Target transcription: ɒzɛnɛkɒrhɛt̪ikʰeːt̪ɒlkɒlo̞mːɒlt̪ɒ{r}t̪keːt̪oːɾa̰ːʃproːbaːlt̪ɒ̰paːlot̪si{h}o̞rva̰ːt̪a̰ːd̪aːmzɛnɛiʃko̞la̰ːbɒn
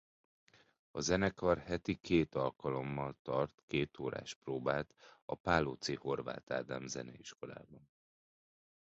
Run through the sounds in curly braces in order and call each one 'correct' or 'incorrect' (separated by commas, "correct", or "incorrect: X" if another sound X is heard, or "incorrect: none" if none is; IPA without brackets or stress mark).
correct, correct